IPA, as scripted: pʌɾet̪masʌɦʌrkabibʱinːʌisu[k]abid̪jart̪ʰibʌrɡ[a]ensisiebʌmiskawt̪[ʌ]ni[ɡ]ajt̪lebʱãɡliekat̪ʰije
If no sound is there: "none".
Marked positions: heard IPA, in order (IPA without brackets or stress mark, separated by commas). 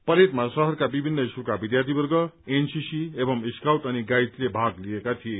k, ʌ, ʌ, ɡ